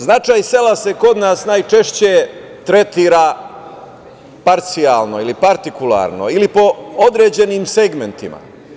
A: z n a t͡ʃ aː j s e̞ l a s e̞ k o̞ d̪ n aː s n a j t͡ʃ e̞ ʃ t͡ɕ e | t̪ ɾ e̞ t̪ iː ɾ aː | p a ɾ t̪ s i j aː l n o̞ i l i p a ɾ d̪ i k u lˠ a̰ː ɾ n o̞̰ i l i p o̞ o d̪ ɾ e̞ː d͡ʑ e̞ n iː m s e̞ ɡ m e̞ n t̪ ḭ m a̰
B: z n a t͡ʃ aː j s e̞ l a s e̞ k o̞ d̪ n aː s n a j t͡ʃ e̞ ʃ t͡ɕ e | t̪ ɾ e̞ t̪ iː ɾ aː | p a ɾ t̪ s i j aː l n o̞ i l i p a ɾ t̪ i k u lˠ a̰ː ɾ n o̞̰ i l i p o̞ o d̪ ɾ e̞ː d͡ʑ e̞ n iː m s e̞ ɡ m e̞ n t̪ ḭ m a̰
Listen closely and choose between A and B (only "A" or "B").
B